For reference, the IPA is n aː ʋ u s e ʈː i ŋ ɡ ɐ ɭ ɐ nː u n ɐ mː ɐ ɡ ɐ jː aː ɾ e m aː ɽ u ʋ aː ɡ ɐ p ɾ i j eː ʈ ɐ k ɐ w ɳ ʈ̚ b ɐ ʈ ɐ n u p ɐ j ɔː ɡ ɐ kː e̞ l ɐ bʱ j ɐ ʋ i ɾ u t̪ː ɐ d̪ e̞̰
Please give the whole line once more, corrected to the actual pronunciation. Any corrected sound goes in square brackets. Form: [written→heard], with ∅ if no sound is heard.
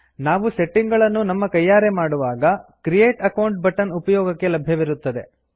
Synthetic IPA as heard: n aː ʋ u s e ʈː i ŋ ɡ ɐ ɭ ɐ nː u n ɐ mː ɐ [ɡ→k] ɐ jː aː ɾ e m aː ɽ u ʋ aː ɡ ɐ [p→k] ɾ i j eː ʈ ɐ k ɐ w ɳ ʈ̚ b ɐ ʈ ɐ n u p ɐ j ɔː ɡ ɐ kː e̞ l ɐ bʱ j ɐ ʋ i ɾ u t̪ː ɐ d̪ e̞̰

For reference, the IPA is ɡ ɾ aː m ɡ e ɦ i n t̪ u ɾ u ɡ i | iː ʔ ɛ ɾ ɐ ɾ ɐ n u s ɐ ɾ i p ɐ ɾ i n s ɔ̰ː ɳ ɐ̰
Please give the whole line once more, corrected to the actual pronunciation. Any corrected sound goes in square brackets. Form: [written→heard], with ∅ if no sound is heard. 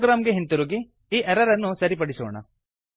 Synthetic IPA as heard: ɡ ɾ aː m ɡ e ɦ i n t̪ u ɾ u ɡ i | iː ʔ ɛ ɾ ɐ ɾ ɐ [n→nː] u s ɐ ɾ i p ɐ [ɾ→ɽ] i [n→∅] s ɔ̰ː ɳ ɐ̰

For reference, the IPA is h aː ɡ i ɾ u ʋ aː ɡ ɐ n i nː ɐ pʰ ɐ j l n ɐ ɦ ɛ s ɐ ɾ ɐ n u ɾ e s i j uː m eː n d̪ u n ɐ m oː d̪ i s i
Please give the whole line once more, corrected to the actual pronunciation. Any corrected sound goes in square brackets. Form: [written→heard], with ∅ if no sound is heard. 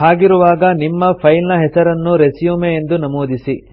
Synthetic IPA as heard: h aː ɡ i ɾ u ʋ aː ɡ ɐ n i [nː→mː] ɐ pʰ ɐ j l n ɐ ɦ ɛ s ɐ ɾ ɐ [n→nː] u ɾ e s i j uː m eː n d̪ u n ɐ m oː d̪ i s i

